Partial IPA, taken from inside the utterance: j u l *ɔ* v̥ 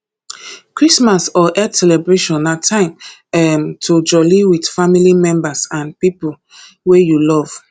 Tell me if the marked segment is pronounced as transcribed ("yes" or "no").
yes